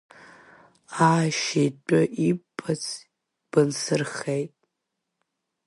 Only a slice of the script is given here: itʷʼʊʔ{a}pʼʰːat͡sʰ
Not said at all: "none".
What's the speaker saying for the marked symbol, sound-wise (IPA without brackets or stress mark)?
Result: i